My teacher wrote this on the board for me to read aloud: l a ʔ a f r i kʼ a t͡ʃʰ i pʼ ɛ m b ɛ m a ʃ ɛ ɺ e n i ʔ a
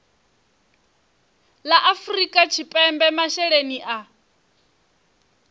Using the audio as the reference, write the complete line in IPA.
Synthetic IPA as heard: l a ʔ a f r i kʼ a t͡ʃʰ i pʼ ɛ m b ɛ m a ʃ ɛ ɺ e n i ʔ a